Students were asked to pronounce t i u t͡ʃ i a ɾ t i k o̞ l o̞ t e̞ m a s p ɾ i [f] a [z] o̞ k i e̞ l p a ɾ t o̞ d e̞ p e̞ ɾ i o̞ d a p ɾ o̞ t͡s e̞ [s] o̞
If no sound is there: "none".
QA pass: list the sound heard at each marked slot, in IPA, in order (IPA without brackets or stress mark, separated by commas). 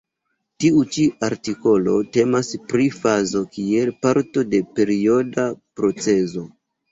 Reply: f, z, z